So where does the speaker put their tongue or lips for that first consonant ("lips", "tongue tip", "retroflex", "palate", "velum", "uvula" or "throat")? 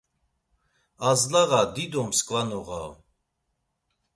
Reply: tongue tip